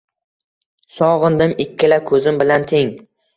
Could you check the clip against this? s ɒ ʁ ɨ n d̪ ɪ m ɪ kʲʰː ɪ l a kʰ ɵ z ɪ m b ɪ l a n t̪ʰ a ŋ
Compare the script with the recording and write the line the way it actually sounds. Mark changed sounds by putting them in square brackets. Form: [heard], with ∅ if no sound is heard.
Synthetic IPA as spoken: s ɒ ʁ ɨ n d̪ ɪ m ɪ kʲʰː ɪ l a kʰ ɵ z ɪ m b ɪ l a n t̪ʰ [e] ŋ